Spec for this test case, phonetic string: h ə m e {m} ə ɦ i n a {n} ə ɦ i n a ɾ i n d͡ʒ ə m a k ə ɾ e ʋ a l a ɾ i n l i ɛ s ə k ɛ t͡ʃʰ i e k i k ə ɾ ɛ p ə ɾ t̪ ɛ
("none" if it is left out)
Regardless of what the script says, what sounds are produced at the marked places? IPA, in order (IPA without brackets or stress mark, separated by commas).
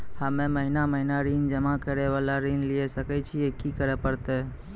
m, m